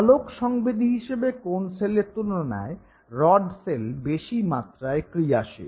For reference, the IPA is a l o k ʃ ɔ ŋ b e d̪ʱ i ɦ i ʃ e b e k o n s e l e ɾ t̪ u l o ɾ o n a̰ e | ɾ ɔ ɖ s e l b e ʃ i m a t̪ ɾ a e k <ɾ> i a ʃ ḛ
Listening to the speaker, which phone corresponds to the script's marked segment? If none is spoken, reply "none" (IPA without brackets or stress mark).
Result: ɾ